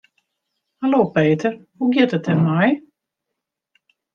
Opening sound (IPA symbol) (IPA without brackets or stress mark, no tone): h